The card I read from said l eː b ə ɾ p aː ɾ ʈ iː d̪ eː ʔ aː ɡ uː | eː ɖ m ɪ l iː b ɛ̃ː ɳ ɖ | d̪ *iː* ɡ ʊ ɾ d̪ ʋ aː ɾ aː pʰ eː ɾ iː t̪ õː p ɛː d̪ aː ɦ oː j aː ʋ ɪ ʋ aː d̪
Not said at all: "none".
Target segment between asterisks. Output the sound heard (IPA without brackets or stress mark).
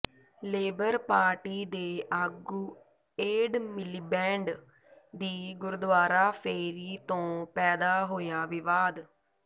iː